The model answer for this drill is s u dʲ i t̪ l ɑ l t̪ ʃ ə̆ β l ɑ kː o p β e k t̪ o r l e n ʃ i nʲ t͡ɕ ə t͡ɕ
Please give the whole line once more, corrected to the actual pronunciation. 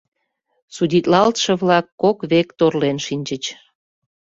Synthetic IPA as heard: s u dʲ i t̪ l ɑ l t̪ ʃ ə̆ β l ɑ kː o k β e k t̪ o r l e n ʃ i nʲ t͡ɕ ə t͡ɕ